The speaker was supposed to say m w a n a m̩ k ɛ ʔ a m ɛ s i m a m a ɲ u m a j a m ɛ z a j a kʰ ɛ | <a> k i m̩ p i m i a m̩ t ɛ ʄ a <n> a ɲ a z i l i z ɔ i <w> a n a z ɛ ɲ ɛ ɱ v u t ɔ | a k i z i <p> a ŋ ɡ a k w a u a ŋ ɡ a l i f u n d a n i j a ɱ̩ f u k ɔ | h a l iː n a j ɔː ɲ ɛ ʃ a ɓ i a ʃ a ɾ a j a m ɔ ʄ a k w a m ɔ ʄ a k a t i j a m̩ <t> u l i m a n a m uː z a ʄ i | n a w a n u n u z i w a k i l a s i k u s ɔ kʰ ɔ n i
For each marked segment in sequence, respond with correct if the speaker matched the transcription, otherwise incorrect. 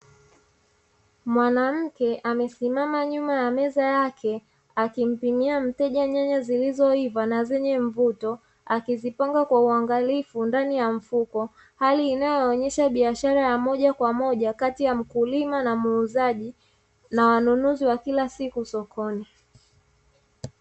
correct, incorrect: ɲ, incorrect: v, correct, incorrect: k

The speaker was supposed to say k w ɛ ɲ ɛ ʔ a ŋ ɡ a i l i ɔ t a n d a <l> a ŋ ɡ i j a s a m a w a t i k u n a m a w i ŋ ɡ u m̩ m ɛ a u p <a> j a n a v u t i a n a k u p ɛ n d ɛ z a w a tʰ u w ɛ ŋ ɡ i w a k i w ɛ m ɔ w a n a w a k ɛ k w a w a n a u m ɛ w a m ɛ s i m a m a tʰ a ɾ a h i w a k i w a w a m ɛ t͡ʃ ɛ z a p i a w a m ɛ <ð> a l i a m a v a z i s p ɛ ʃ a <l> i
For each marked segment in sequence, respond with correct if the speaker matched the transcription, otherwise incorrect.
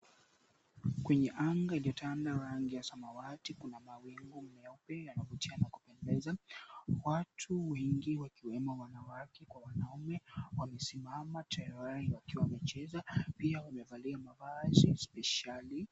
incorrect: ɾ, incorrect: ɛ, incorrect: v, correct

